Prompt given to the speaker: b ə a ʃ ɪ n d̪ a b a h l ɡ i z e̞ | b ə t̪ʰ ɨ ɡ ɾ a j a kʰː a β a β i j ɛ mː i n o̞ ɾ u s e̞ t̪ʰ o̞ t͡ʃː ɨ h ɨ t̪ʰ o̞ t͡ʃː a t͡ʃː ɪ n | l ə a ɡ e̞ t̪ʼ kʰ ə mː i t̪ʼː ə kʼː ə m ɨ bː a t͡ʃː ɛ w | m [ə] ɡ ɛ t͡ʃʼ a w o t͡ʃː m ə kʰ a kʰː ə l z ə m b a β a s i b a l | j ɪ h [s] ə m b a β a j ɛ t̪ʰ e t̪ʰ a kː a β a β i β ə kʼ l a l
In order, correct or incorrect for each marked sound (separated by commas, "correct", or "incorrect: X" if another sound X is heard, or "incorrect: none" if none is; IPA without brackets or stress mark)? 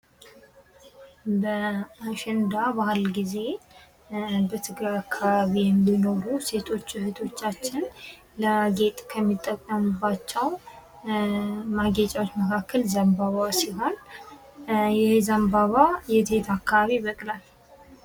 incorrect: a, incorrect: z